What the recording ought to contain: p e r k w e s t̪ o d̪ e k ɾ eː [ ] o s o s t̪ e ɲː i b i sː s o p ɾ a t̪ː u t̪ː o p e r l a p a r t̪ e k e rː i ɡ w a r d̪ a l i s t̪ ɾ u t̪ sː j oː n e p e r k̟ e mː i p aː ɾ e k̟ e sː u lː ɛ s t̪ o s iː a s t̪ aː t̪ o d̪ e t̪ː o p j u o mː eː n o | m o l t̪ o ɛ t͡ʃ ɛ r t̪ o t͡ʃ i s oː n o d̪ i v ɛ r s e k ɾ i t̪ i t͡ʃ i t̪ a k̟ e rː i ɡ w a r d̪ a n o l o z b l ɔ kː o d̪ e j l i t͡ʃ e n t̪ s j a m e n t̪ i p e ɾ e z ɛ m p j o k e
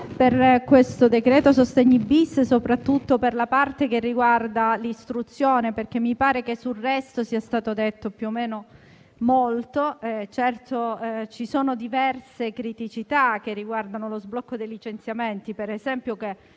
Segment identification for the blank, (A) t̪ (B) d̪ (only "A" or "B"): A